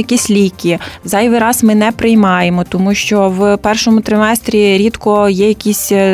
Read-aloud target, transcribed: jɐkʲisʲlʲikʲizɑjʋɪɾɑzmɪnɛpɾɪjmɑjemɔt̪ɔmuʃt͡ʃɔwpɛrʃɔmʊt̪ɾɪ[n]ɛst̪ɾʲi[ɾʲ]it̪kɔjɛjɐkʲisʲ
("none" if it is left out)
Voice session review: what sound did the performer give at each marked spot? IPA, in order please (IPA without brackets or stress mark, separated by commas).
m, ɾʲ